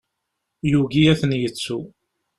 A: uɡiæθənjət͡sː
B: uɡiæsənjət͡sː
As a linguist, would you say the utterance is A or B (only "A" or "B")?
A